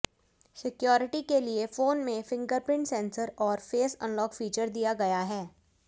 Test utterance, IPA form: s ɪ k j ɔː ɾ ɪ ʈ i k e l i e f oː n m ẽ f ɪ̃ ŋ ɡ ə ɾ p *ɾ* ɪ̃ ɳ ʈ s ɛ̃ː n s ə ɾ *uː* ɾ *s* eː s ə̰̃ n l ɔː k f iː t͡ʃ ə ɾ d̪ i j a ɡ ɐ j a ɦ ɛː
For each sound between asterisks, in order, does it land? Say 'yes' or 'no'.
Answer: yes, no, no

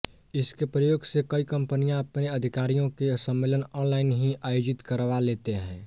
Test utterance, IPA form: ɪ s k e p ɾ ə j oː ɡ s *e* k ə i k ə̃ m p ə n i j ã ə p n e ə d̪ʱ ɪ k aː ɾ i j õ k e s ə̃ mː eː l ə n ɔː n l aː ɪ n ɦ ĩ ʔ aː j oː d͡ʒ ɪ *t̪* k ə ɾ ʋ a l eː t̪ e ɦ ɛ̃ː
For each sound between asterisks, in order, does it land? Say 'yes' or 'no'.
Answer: yes, yes

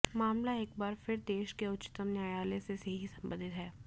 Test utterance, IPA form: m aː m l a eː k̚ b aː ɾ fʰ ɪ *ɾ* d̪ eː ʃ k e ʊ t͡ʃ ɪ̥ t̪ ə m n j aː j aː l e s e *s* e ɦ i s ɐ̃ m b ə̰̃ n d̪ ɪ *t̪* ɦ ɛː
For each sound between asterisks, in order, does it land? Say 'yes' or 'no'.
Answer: yes, yes, yes

